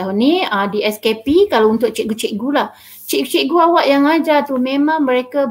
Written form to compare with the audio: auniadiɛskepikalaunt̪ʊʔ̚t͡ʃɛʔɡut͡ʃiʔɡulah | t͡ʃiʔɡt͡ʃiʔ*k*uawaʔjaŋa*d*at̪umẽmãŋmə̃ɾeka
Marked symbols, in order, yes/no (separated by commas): no, no